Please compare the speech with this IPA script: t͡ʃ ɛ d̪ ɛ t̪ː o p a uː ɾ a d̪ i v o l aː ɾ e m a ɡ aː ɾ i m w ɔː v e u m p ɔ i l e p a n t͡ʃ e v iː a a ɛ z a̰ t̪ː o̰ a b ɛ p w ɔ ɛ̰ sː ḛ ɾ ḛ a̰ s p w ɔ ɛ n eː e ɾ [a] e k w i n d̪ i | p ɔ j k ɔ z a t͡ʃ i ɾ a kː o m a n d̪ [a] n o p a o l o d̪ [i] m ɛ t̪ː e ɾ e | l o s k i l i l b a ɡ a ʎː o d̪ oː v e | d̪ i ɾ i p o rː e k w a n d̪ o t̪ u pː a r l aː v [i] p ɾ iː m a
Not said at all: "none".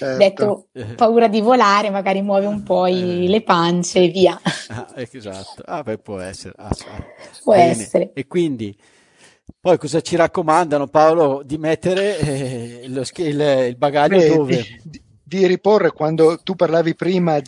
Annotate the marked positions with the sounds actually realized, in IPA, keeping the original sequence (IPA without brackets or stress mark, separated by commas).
e, a, i, i